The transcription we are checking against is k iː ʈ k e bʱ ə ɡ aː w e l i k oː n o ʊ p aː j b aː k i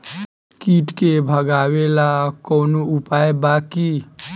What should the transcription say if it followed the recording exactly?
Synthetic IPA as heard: k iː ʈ k e bʱ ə ɡ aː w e l a k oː n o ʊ p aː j b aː k i